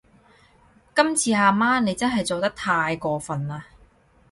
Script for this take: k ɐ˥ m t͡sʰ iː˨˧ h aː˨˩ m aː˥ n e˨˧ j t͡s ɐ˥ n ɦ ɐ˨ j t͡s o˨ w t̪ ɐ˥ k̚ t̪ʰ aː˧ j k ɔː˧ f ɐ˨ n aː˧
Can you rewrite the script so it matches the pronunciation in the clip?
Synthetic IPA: k ɐ˥ m t͡sʰ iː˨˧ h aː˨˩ m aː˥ n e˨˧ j t͡s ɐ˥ n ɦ ɐ˨ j t͡s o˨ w t̪ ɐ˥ k̚ t̪ʰ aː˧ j k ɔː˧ f ɐ˨ n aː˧

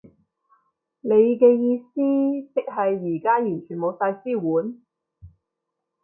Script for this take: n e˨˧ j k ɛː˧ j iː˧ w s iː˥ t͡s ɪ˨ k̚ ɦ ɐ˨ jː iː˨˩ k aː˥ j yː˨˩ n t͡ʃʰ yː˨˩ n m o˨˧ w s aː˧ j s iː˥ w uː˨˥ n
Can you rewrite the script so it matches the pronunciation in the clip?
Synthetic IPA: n e˨˧ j k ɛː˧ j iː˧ s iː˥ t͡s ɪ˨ k̚ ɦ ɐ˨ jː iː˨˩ k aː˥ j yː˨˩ n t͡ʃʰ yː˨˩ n m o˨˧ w s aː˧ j s iː˥ w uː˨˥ n

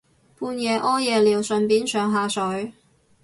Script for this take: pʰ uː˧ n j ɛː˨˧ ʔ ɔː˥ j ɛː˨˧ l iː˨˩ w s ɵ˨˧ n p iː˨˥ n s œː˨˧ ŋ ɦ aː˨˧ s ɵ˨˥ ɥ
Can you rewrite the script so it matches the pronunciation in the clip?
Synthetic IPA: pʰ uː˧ n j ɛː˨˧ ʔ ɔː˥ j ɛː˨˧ l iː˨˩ w s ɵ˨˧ n p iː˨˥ n s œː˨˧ ŋ ɦ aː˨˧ s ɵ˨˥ ɥ

